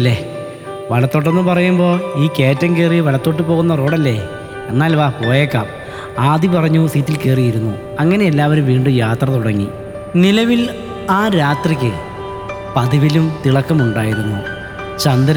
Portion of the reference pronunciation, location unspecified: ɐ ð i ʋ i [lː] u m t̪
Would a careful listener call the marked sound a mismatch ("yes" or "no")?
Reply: yes